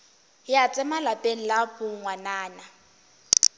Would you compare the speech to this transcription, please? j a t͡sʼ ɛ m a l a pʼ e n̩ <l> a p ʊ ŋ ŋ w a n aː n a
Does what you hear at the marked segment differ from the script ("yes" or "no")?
no